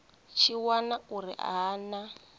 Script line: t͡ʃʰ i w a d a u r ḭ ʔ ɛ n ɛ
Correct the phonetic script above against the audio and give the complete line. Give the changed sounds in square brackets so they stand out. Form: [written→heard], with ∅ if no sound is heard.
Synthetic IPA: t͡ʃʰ i w a [d→n] a u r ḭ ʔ [ɛ→a] n [ɛ→a]